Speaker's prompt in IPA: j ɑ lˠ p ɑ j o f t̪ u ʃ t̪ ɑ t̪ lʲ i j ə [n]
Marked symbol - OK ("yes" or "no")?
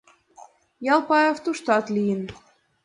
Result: yes